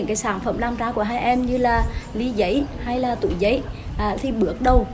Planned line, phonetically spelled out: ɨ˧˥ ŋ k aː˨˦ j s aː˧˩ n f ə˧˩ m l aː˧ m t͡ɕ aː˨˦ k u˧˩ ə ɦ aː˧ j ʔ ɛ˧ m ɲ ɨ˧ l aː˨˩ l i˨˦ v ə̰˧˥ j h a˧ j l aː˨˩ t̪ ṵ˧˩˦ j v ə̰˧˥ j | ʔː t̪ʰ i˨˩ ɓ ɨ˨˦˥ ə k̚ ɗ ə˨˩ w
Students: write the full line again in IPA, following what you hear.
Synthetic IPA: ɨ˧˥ ŋ k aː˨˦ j s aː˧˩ n f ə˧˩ m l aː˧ m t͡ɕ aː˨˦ k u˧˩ ə ɦ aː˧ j ʔ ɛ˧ m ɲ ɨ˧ l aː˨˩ l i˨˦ z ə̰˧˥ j h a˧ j l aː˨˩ t̪ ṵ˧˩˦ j z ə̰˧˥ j | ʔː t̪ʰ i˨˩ ɓ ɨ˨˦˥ ə k̚ ɗ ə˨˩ w